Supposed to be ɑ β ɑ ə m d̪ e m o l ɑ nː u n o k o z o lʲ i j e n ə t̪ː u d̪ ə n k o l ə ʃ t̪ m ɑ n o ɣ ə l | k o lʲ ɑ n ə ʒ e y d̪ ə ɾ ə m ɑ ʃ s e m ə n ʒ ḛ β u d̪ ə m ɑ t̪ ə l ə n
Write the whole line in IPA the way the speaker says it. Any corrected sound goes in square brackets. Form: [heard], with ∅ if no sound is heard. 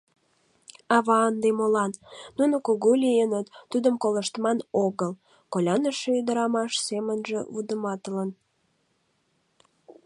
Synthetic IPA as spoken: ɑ β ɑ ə [n] d̪ e m o l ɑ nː u n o k o [ɣ] o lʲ i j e n ə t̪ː u d̪ ə [m] k o l ə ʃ t̪ m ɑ n o ɣ ə l | k o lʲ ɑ n ə [ʃ] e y d̪ ə ɾ [ɑ] m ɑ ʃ s e m ə n ʒ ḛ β u d̪ ə m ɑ t̪ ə l ə n